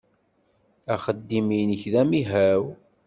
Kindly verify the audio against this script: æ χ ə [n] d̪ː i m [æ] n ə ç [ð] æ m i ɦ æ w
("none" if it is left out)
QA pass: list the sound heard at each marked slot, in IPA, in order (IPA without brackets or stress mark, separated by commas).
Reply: none, i, ð